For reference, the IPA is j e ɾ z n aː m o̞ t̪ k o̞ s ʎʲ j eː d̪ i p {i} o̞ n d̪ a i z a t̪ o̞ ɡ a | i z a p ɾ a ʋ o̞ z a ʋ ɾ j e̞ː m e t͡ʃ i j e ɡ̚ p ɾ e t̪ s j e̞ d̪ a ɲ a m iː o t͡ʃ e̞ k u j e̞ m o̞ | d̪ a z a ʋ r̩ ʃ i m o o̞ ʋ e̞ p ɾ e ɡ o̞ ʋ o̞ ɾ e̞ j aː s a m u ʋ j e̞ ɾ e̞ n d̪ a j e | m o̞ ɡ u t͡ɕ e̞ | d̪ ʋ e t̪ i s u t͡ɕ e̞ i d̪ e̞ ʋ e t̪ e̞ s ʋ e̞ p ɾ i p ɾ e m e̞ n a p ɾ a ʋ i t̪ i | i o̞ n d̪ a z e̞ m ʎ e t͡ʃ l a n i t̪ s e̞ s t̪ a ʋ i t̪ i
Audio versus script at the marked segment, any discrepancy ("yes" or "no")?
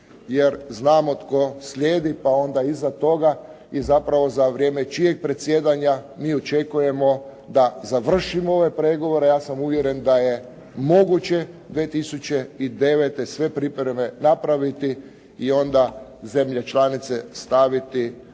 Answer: yes